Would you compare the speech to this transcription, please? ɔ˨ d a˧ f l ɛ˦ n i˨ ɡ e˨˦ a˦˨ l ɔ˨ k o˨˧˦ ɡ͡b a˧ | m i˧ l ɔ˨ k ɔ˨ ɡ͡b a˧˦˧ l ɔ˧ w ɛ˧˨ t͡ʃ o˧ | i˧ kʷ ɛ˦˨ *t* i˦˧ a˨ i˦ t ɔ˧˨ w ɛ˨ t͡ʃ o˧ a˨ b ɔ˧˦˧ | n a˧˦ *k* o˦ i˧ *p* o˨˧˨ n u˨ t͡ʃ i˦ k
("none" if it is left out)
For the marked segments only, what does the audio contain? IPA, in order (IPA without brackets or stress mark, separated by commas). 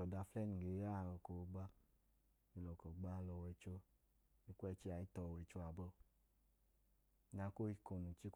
t͡ʃ, k, k